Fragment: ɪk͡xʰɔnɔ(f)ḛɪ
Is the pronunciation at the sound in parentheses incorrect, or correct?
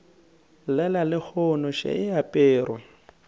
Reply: incorrect